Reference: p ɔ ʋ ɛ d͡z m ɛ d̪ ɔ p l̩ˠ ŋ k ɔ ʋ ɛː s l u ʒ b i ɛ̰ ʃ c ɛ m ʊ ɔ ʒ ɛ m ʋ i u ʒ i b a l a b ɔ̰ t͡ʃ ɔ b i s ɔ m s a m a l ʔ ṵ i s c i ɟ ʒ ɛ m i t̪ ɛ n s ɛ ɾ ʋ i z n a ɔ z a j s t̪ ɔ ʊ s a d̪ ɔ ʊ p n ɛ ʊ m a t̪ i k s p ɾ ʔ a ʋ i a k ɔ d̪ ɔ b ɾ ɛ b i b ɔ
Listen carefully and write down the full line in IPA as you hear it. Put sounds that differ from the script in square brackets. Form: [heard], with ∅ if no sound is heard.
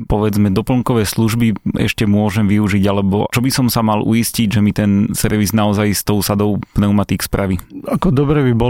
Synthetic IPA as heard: p ɔ ʋ ɛ d͡z m ɛ d̪ ɔ p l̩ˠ ŋ k ɔ ʋ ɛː s l u ʒ b i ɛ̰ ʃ c ɛ m ʊ ɔ ʒ ɛ m ʋ i u ʒ i [ɟ] a l [ɛ] b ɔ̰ t͡ʃ ɔ b i s ɔ m s a m a l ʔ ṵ i s c i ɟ ʒ ɛ m i t̪ ɛ n s ɛ ɾ ʋ i z n a ɔ z a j s t̪ ɔ ʊ s a d̪ ɔ ʊ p n ɛ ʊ m a t̪ i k s p ɾ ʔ a ʋ i a k ɔ d̪ ɔ b ɾ ɛ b i b ɔ